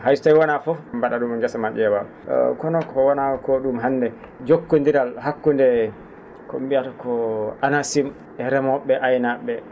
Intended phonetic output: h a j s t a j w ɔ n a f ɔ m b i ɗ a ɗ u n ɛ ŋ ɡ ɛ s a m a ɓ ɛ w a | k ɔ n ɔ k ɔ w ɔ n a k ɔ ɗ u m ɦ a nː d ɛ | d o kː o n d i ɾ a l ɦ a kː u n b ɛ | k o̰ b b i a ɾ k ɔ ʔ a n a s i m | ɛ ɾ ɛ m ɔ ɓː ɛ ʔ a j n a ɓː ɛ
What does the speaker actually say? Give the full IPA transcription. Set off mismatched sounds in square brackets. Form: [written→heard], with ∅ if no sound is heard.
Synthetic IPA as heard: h a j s t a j w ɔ n a f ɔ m b [i→a] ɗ a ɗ u [n→m] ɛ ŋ ɡ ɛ s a m a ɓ ɛ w a | k ɔ n ɔ k ɔ w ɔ n a k ɔ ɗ u m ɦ a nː d ɛ | [d→d͡ʒ] o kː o n d i ɾ a l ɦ a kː u n [b→d] ɛ | k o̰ [b→m] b i a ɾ k ɔ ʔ a n a s i m | ɛ ɾ ɛ m ɔ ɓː ɛ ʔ a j n a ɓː ɛ

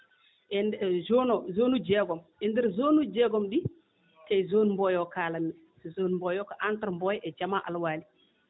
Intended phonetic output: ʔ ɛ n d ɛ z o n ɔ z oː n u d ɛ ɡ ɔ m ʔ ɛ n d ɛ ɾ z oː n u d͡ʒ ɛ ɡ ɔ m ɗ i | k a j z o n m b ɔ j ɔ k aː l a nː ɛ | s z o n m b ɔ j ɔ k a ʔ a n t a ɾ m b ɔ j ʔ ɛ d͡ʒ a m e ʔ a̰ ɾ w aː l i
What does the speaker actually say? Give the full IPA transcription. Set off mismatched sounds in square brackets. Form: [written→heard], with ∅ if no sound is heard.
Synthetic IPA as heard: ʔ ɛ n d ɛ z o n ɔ z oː n u [d→d͡ʒ] ɛ ɡ ɔ m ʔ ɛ n d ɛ ɾ z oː n u d͡ʒ ɛ ɡ ɔ m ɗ i | k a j z o n m b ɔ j ɔ k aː l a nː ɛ | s z o n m b ɔ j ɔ k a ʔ a n t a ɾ m b ɔ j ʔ ɛ d͡ʒ a m [e→a] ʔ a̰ [ɾ→l] w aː l i

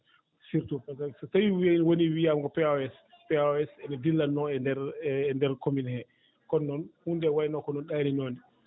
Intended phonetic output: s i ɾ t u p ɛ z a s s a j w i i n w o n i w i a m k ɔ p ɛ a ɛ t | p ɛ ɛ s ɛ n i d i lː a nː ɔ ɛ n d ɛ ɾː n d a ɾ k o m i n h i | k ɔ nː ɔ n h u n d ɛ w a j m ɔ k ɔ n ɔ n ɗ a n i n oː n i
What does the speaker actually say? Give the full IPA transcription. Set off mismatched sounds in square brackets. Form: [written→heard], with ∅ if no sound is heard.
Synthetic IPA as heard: s i ɾ t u p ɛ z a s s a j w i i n w o n i w i a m k ɔ p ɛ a ɛ [t→s] | p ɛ ɛ s ɛ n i d i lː a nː ɔ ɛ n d ɛ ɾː n d [a→ɛ] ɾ k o m i n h [i→ɛ] | k ɔ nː ɔ n h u n d ɛ w a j [m→n] ɔ k ɔ n ɔ n ɗ a n i n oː n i

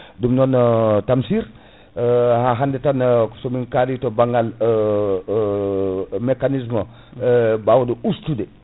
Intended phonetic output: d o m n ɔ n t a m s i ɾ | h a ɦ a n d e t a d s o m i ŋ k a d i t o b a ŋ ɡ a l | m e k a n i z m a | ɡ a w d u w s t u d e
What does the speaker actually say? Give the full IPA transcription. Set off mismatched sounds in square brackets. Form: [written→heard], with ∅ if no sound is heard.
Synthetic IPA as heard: d [o→u] m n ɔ n t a m s i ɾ | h a ɦ a n d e t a [d→n] s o m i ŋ k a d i t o b a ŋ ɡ a l | m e k a n i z m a | [ɡ→b] a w d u [w→u] s t u d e

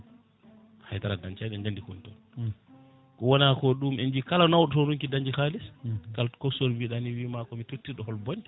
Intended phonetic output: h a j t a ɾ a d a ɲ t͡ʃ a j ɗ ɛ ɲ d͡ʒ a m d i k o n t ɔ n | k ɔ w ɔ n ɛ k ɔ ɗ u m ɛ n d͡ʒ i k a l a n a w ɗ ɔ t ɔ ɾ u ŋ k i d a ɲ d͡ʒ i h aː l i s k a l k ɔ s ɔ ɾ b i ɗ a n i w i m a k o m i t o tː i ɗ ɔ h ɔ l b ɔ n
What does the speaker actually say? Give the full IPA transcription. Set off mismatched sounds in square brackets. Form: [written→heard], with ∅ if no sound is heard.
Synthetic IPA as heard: h a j t a ɾ a d a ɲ t͡ʃ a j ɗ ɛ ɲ d͡ʒ a [m→n] d i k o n t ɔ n | k ɔ w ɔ n [ɛ→a] k ɔ ɗ u m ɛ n d͡ʒ i k a l a n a w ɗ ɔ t ɔ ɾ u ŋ k i d a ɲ d͡ʒ i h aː l i s k a l k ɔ s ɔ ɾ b i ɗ a n i w i m a k [o→ɔ] m i t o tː i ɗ ɔ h ɔ l b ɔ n

